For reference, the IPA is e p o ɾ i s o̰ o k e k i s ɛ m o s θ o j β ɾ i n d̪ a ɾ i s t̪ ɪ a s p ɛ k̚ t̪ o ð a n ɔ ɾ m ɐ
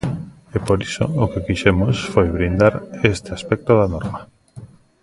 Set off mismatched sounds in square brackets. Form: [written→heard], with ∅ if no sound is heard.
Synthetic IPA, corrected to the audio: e p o ɾ i s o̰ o k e k i [s→ʃ] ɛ m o s [θ→f] o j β ɾ i n d̪ a ɾ [i→e] s t̪ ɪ a s p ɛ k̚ t̪ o ð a n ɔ ɾ m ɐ